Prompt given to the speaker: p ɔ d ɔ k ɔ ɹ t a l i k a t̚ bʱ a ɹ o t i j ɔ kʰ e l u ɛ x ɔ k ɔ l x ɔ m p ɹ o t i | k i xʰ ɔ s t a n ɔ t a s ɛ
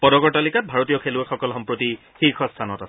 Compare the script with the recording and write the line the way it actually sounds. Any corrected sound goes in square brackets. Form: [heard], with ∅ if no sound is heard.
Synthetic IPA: p ɔ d ɔ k ɔ ɹ t a l i k a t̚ bʱ a ɹ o t i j ɔ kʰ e l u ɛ x ɔ k ɔ l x ɔ m p ɹ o t i | [x] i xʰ ɔ s [tʰ] a n ɔ t a s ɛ